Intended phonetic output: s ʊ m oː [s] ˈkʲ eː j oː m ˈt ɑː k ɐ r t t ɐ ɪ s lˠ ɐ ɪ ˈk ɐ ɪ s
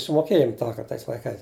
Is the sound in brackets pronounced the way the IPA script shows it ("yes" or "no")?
no